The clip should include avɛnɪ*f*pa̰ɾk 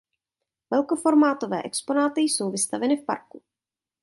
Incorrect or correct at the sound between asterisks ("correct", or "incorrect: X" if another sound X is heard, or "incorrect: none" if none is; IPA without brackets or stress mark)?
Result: correct